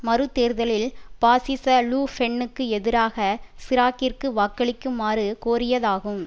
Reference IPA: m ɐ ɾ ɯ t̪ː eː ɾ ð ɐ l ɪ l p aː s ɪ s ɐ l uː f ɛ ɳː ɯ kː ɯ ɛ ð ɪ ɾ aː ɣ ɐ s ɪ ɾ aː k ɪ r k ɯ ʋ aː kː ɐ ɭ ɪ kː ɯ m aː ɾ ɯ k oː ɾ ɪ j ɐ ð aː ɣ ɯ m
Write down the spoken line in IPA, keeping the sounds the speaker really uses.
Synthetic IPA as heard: m ɐ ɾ ɯ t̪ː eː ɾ ð ɐ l ɪ l p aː s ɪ s ɐ l uː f ɛ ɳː ɯ kː ɯ ɛ ð ɪ ɾ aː ɣ ɐ s ɪ ɾ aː k ɪ r k ɯ ʋ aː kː ɐ ɭ ɪ kː ɯ m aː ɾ ɯ k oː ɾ ɪ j ɐ ð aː ɣ ɯ m